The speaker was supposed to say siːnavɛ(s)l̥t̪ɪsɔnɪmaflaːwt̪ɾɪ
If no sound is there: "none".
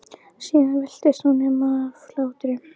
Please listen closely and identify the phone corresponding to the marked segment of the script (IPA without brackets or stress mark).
none